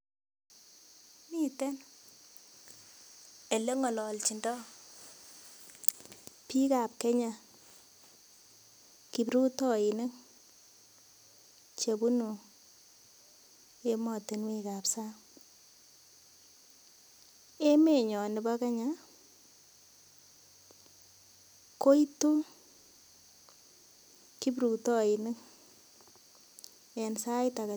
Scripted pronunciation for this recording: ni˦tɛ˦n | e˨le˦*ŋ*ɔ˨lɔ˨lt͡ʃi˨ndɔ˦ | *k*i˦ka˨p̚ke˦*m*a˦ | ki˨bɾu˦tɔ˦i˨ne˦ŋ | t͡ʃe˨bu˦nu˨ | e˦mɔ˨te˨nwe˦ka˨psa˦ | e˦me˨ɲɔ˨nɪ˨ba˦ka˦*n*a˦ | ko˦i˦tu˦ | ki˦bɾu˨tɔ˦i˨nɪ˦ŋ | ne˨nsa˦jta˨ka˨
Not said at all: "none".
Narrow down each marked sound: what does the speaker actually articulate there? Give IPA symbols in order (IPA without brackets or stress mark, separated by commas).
ŋ, p, ɲ, ɲ